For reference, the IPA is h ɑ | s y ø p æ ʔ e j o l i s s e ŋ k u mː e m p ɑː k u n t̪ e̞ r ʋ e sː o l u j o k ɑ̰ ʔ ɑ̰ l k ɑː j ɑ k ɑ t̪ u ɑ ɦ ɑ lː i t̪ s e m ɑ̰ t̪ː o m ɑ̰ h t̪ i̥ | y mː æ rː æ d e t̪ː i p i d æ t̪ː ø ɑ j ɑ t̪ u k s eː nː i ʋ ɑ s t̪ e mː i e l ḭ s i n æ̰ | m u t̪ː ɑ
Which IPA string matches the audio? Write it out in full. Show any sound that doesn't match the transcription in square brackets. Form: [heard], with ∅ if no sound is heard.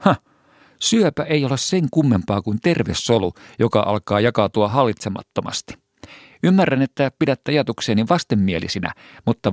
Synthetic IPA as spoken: h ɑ | s y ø p æ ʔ e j o l [e] s s e ŋ k u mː e m p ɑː k u n t̪ e̞ r ʋ e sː o l u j o k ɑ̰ ʔ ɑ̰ l k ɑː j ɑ k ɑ t̪ u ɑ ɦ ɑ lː i t̪ s e m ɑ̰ t̪ː o m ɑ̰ [s] t̪ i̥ | y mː æ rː æ [n] e t̪ː [æ] p i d æ t̪ː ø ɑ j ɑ t̪ u k s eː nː i ʋ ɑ s t̪ e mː i e l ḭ s i n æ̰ | m u t̪ː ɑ